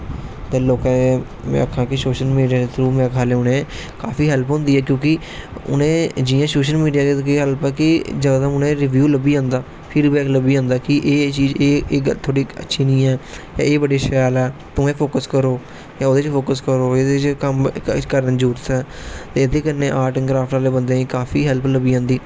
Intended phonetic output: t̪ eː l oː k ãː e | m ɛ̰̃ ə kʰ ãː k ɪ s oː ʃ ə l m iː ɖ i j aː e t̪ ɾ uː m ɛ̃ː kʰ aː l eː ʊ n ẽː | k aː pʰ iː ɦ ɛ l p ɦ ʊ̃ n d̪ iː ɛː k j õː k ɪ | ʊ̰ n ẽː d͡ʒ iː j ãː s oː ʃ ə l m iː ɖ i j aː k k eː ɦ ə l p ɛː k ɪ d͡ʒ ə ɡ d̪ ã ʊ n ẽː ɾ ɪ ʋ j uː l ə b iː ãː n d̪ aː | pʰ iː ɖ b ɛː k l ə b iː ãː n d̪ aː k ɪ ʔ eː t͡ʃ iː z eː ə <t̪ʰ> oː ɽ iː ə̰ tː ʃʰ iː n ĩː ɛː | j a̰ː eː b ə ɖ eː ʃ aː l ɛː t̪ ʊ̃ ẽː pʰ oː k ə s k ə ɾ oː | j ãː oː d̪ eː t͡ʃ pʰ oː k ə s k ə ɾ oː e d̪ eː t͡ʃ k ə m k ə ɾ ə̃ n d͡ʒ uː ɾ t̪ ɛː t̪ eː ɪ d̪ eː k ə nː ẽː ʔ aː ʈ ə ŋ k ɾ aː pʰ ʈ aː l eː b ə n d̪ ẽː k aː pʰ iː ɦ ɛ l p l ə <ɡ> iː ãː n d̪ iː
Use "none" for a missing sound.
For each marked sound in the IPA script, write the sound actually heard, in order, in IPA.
t̪ʰ, b

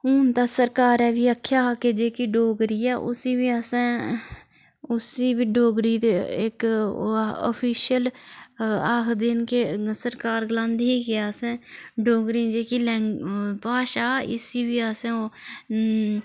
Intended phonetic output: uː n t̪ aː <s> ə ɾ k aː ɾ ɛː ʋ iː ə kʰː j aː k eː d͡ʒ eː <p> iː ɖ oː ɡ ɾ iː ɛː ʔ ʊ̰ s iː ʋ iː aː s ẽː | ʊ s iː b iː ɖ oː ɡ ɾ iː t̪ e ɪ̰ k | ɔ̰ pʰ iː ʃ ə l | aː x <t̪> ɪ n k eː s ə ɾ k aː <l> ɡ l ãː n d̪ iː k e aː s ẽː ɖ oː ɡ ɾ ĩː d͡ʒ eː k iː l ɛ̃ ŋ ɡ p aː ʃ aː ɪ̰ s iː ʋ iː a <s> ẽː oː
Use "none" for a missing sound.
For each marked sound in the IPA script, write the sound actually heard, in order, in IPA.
s, k, d̪, ɾ, s

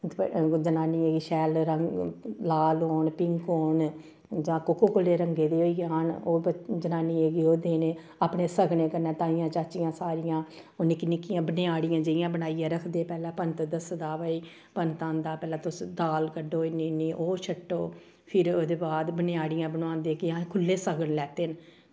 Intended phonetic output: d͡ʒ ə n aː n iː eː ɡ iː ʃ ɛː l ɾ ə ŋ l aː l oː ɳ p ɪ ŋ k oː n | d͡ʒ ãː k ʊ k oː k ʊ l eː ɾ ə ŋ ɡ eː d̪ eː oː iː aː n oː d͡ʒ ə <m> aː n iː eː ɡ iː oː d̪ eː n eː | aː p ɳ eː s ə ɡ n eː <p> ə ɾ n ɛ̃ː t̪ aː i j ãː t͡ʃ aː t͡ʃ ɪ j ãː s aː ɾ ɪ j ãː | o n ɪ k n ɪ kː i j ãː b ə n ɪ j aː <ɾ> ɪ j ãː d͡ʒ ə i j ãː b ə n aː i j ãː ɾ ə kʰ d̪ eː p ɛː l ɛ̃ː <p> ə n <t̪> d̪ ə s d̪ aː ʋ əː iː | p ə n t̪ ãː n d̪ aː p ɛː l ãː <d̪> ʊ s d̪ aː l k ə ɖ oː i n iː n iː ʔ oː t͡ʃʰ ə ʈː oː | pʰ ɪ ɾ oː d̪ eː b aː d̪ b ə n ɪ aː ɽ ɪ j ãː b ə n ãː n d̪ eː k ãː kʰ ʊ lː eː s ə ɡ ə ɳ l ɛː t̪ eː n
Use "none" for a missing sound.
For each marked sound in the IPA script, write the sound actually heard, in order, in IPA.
n, k, ɽ, p, t̪, t̪

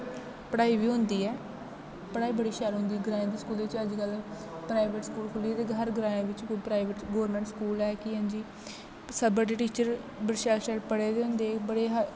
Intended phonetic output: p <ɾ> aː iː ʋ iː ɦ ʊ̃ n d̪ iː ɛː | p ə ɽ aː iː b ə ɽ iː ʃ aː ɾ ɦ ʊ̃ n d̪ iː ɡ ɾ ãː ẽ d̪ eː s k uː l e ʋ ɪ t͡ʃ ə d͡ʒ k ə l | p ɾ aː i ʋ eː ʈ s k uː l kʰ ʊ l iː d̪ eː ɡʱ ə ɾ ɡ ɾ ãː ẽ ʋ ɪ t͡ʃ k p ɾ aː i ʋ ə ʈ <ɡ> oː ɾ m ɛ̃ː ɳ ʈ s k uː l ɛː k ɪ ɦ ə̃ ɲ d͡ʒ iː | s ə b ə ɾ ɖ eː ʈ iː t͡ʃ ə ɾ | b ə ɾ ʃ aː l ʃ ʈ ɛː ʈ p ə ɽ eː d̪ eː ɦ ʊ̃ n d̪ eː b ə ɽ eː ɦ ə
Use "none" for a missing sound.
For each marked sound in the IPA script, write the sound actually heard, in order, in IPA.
ɽ, ɡ

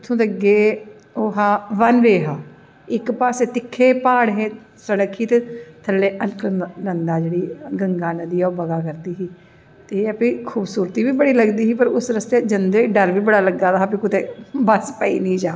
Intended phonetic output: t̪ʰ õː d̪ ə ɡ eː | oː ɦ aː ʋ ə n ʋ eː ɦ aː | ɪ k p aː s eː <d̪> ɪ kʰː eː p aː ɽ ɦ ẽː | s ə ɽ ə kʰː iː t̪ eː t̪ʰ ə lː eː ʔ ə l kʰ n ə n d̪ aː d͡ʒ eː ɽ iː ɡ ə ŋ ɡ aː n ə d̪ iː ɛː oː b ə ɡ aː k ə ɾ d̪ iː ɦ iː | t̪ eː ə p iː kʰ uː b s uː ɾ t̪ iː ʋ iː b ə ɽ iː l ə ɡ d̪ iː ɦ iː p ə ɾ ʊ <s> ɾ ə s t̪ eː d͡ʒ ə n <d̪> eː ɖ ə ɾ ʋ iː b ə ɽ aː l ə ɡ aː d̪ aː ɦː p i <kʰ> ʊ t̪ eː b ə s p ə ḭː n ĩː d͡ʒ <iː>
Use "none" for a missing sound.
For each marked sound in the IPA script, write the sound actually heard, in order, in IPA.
t̪, s, d̪, k, aː

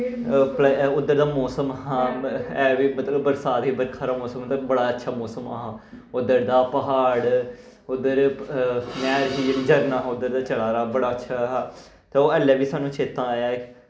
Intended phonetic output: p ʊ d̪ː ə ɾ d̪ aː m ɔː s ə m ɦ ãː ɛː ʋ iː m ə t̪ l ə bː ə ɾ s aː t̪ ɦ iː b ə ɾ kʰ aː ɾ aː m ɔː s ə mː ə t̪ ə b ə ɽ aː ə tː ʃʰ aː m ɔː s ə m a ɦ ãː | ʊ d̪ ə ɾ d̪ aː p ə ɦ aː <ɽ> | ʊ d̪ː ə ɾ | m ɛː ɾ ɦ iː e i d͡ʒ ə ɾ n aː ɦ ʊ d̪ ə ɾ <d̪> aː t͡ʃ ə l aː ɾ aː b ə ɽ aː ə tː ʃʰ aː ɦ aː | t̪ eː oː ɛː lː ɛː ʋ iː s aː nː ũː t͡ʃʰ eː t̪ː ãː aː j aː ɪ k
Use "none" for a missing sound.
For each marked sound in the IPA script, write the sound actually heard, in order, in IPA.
ɽ, d̪

